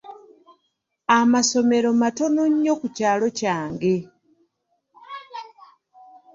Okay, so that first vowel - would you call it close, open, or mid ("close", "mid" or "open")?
open